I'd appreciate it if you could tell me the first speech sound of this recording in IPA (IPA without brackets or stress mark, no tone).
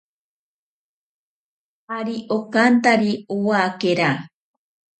a